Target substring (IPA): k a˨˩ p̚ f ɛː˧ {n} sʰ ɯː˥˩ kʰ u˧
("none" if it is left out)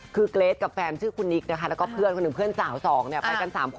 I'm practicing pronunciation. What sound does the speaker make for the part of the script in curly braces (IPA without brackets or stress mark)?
n